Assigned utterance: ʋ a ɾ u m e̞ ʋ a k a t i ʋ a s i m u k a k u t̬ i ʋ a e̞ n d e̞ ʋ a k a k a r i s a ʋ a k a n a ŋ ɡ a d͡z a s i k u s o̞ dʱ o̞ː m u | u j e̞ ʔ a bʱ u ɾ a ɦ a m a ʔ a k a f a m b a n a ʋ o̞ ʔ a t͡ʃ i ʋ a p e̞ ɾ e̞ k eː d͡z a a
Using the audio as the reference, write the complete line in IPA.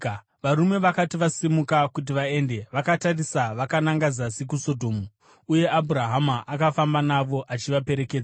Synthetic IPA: ʋ a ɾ u m e̞ ʋ a k a t i ʋ a s i m u k a k u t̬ i ʋ a e̞ n d e̞ ʋ a k a t a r i s a ʋ a k a n a ŋ ɡ a d͡z a s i k u s o̞ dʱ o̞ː m u | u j e̞ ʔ a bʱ u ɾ a ɦ a m a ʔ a k a f a m b a n a ʋ o̞ ʔ a t͡ʃ i ʋ a p e̞ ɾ e̞ k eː d͡z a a